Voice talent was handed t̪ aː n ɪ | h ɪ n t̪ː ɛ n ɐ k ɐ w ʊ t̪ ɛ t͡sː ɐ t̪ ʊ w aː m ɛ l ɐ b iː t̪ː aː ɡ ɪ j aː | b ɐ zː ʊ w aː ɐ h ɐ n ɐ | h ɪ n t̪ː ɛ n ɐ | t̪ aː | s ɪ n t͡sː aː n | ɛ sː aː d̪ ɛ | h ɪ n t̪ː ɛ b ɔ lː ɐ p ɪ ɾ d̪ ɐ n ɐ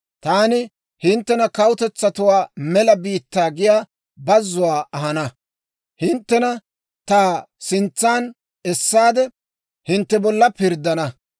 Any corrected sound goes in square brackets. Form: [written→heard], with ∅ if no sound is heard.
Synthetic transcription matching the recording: t̪ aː n ɪ | h ɪ n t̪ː ɛ n ɐ k ɐ w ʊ t̪ ɛ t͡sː ɐ t̪ ʊ w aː m ɛ l ɐ b iː t̪ː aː ɡ ɪ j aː | b ɐ zː ʊ w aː ɐ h ɐ n ɐ | h ɪ n t̪ː ɛ n ɐ | t̪ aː | s ɪ n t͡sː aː n | ɛ sː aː d̪ ɛ | h ɪ n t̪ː ɛ b ɔ lː ɐ p ɪ ɾ d̪ ɐ n ɐ

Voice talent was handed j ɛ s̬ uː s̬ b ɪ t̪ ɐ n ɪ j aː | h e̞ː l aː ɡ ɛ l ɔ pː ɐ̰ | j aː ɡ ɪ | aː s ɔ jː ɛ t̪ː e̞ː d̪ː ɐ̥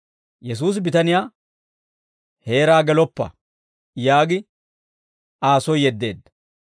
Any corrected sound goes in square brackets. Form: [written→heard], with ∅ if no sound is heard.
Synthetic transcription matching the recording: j ɛ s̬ uː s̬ b ɪ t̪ ɐ n ɪ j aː | h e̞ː [l→ɾ] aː ɡ ɛ l ɔ pː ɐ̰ | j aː ɡ ɪ | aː s ɔ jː ɛ [t̪ː→d̪ː] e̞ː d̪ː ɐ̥

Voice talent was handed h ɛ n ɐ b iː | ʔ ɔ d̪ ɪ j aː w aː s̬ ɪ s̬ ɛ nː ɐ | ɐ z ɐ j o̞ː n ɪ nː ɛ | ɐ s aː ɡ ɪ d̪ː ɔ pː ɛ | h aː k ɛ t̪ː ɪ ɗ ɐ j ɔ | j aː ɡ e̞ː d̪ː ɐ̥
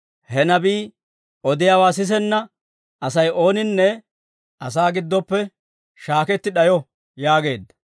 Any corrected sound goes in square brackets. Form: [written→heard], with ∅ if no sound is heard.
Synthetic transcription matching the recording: h ɛ n ɐ b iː | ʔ ɔ d̪ ɪ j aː w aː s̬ ɪ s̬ ɛ nː ɐ | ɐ [z→s] ɐ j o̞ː n ɪ nː ɛ | ɐ s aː ɡ ɪ d̪ː ɔ pː ɛ | [h→ʃ] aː k ɛ t̪ː ɪ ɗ ɐ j ɔ | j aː ɡ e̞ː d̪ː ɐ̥

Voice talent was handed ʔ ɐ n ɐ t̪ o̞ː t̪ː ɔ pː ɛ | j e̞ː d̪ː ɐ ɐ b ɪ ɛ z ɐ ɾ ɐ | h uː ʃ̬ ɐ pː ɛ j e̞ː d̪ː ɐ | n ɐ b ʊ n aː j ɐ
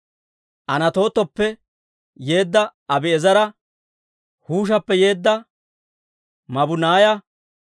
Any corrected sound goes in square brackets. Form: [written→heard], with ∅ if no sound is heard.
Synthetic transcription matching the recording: ʔ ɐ n ɐ t̪ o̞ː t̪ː ɔ pː ɛ | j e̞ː d̪ː ɐ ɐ b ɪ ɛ z ɐ ɾ ɐ | h uː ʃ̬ ɐ pː ɛ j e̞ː d̪ː ɐ | [n→m] ɐ b ʊ n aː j ɐ

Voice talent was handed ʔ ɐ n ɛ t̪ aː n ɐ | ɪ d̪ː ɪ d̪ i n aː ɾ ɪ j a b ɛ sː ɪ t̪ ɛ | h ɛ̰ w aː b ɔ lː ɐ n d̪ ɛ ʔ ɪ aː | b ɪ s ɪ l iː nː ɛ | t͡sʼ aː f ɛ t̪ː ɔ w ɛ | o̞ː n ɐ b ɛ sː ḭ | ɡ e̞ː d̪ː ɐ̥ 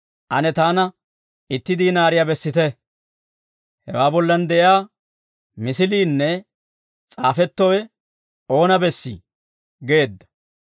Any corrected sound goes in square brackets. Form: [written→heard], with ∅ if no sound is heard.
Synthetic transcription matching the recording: ʔ ɐ n ɛ t̪ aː n ɐ | ɪ [d̪ː→t̪ː] ɪ d̪ i n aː ɾ ɪ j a b ɛ sː ɪ t̪ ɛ | h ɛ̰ w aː b ɔ lː ɐ n d̪ ɛ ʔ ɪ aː | [b→m] ɪ s ɪ l iː nː ɛ | t͡sʼ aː f ɛ t̪ː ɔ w ɛ | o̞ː n ɐ b ɛ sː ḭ | ɡ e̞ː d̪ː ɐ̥

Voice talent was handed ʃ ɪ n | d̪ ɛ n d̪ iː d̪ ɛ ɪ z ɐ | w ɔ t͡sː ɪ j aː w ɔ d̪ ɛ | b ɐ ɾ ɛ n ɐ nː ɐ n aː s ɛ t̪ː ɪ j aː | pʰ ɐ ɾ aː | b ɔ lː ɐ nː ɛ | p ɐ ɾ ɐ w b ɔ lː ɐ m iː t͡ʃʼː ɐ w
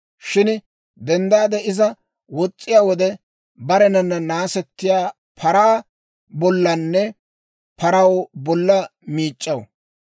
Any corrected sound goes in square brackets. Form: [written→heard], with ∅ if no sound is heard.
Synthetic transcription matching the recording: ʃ ɪ n | d̪ ɛ n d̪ [iː→aː] d̪ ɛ ɪ z ɐ | w ɔ [t͡sː→t͡sʼː] ɪ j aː w ɔ d̪ ɛ | b ɐ ɾ ɛ n ɐ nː ɐ n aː s ɛ t̪ː ɪ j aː | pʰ ɐ ɾ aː | b ɔ lː ɐ nː ɛ | p ɐ ɾ ɐ w b ɔ lː ɐ m iː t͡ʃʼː ɐ w

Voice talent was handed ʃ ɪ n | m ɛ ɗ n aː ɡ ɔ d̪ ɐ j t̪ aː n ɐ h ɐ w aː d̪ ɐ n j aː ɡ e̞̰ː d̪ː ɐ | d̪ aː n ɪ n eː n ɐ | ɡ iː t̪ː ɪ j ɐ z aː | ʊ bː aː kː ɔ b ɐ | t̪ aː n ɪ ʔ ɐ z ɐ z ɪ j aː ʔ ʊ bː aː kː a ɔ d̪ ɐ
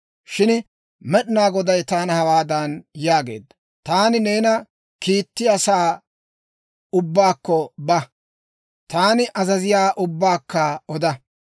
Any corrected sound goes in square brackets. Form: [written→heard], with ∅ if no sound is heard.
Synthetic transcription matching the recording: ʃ ɪ n | m ɛ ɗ n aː ɡ ɔ d̪ ɐ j t̪ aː n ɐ h ɐ w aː d̪ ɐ n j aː ɡ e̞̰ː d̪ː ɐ | [d̪→t̪] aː n ɪ n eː n ɐ | [ɡ→k] iː t̪ː ɪ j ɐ [z→s] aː | ʊ bː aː kː ɔ b ɐ | t̪ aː n ɪ ʔ ɐ z ɐ z ɪ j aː ʔ ʊ bː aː kː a ɔ d̪ ɐ

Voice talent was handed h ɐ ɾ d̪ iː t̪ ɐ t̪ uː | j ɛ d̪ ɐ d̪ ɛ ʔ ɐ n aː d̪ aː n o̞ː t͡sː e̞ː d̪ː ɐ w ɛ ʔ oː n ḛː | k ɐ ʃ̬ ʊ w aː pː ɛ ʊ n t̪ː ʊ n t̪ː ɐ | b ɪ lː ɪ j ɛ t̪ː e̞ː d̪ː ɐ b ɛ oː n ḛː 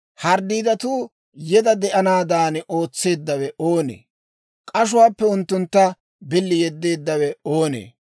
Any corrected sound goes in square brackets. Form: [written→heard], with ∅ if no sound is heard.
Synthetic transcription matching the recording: h ɐ ɾ d̪ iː [t̪→d̪] ɐ t̪ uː | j ɛ d̪ ɐ d̪ ɛ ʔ ɐ n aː d̪ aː n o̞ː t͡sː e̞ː d̪ː ɐ w ɛ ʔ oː n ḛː | [k→kʼ] ɐ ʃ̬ ʊ w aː pː ɛ ʊ n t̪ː ʊ n t̪ː ɐ | b ɪ lː ɪ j ɛ [t̪ː→d̪ː] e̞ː d̪ː ɐ [b→w] ɛ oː n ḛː

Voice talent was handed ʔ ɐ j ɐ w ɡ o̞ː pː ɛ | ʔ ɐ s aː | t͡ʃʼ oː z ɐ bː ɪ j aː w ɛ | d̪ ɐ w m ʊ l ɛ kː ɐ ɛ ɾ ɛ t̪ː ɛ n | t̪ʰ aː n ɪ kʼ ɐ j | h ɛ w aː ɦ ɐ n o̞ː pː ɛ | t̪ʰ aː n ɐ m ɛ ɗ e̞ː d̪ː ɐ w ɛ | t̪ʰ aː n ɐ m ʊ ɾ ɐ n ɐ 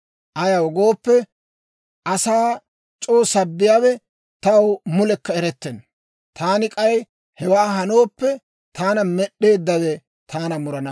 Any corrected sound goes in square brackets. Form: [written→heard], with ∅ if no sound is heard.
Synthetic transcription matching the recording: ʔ ɐ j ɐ w ɡ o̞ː pː ɛ | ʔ ɐ s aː | t͡ʃʼ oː [z→s] ɐ bː ɪ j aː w ɛ | [d̪→t̪] ɐ w m ʊ l ɛ kː ɐ ɛ ɾ ɛ t̪ː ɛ n | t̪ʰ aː n ɪ kʼ ɐ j | h ɛ w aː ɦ ɐ n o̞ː pː ɛ | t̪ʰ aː n ɐ m ɛ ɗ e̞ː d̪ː ɐ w ɛ | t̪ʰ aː n ɐ m ʊ ɾ ɐ n ɐ

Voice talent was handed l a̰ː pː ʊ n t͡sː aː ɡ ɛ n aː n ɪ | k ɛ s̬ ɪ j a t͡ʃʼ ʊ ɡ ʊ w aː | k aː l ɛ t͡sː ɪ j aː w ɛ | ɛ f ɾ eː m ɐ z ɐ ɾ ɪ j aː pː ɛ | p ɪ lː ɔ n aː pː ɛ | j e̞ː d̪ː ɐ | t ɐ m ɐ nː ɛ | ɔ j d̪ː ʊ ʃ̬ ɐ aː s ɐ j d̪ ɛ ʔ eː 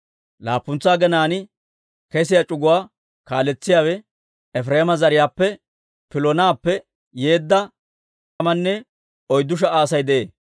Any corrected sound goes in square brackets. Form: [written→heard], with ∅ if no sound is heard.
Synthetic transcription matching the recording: l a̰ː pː ʊ n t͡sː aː ɡ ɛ n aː n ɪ | k ɛ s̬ ɪ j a t͡ʃʼ ʊ ɡ ʊ w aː | k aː l ɛ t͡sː ɪ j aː w ɛ | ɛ f ɾ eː m ɐ z ɐ ɾ ɪ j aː pː ɛ | p ɪ [lː→l] ɔ n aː pː ɛ | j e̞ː d̪ː ɐ | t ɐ m ɐ nː ɛ | ɔ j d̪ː ʊ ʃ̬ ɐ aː s ɐ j d̪ ɛ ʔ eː

